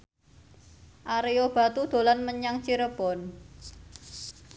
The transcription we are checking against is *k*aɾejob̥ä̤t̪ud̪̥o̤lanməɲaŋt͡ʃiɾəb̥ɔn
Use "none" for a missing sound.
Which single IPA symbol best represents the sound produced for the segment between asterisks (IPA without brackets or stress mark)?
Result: ʔ